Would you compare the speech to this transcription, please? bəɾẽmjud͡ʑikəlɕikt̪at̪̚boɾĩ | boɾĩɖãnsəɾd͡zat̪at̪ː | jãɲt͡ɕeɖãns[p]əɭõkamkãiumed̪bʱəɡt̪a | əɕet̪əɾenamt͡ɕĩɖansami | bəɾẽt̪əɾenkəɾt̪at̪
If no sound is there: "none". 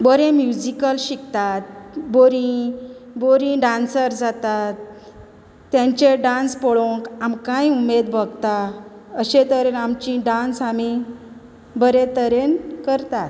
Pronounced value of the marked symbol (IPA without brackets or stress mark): p